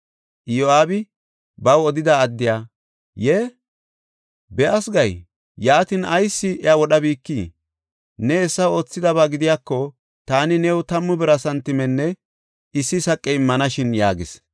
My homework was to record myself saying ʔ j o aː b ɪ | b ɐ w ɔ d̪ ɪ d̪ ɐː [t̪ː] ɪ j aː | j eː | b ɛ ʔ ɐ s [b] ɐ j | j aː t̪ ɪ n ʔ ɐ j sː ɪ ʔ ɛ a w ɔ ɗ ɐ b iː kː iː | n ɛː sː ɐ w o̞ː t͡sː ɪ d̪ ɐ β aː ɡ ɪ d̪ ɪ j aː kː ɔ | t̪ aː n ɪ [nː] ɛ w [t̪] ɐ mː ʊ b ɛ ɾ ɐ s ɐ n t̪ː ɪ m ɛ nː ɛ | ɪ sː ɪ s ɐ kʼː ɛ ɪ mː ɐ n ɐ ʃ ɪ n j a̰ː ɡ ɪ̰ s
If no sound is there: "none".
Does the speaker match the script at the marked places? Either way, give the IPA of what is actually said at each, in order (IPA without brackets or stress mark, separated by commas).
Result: d̪ː, ɡ, n, t̪